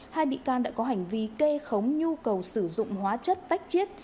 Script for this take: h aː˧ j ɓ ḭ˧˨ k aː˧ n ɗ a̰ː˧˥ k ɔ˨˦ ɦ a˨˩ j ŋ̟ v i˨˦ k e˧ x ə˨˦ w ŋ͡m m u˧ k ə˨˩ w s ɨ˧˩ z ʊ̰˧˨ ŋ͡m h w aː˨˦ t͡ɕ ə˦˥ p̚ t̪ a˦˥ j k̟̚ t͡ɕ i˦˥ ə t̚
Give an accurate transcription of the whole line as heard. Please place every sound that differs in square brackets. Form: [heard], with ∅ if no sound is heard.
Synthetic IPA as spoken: h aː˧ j ɓ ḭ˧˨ k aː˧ n ɗ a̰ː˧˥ k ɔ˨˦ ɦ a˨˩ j ŋ̟ v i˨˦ k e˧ x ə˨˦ w ŋ͡m [ɲ] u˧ k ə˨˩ w s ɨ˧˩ z ʊ̰˧˨ ŋ͡m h w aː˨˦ t͡ɕ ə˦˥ [t̚] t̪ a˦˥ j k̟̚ t͡ɕ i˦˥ ə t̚